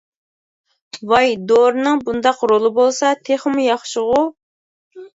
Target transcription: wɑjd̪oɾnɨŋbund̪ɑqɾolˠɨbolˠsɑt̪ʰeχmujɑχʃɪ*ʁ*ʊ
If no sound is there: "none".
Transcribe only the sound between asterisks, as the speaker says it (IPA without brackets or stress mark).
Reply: ʁ